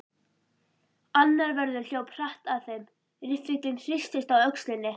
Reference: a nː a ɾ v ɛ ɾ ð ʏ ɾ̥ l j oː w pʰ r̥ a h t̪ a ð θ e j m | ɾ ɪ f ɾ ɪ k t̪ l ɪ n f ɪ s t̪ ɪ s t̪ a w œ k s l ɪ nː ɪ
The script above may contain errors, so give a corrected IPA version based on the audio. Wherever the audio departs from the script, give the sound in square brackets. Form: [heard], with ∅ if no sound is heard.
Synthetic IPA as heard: a nː a ɾ v ɛ ɾ ð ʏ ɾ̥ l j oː w pʰ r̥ a h t̪ a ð θ e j m | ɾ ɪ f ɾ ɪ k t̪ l ɪ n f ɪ s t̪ ɪ s t̪ a w œ k s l ɪ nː ɪ